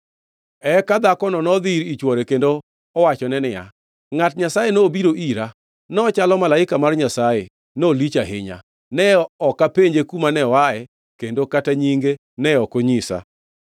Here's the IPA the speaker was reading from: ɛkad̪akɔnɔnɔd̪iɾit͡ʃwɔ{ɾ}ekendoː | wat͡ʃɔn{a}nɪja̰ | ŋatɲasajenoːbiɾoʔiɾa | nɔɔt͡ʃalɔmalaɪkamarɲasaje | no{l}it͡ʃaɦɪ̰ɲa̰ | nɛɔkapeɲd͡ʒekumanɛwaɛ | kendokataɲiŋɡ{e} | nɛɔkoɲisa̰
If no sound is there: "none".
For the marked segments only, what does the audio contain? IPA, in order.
ɾ, ɛ, l, e

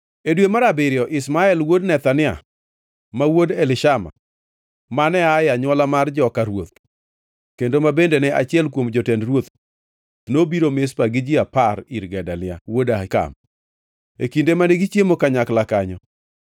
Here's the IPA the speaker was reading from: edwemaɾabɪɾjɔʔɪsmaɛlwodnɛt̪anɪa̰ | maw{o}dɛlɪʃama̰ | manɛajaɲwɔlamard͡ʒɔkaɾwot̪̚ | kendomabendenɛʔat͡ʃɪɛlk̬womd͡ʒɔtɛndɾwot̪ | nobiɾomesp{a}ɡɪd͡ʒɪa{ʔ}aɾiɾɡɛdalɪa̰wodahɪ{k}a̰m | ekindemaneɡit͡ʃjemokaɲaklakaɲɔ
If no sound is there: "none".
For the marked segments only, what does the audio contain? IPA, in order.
o, a, p, k

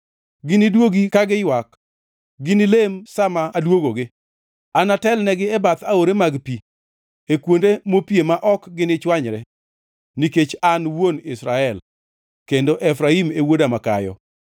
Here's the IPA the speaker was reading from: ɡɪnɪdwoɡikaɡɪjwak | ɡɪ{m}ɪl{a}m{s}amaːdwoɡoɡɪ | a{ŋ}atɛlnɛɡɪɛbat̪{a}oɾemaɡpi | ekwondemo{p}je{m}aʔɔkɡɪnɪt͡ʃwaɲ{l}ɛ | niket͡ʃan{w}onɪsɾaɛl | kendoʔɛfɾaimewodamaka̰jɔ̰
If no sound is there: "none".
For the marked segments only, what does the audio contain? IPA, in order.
n, e, s, n, a, p, m, ɾ, w

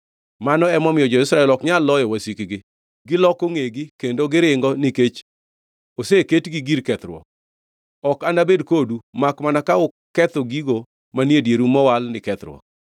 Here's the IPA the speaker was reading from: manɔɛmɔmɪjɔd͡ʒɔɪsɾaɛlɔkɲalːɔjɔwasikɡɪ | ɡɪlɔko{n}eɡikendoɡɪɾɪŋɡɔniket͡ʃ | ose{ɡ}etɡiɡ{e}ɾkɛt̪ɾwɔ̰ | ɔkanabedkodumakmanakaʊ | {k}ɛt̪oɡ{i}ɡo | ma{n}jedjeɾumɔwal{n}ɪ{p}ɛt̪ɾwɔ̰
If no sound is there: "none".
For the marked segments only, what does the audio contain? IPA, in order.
ŋ, k, i, k, i, n, n, k

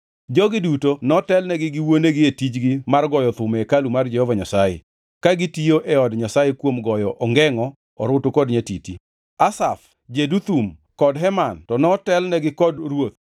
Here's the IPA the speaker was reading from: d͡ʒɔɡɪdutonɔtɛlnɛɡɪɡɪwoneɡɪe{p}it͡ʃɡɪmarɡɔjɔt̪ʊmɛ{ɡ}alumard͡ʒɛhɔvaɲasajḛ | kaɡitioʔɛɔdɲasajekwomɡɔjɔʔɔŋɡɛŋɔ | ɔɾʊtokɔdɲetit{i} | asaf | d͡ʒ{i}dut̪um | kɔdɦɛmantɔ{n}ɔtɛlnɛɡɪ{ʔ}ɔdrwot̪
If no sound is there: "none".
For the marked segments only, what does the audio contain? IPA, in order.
t, k, i, e, n, k

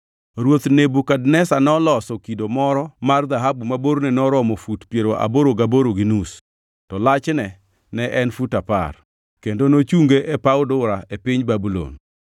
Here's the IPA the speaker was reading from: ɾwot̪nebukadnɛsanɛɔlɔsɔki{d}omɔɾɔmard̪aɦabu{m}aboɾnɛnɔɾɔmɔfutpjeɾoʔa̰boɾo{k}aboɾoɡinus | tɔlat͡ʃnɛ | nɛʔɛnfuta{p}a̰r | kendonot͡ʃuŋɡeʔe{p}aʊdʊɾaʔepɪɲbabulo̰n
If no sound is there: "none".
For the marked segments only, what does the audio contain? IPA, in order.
d, m, ɡ, p, p

